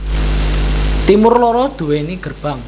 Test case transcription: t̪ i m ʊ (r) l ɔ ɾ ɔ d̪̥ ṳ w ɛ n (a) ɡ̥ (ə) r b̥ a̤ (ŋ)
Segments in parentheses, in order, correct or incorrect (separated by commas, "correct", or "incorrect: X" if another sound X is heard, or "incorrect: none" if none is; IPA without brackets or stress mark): correct, incorrect: i, correct, correct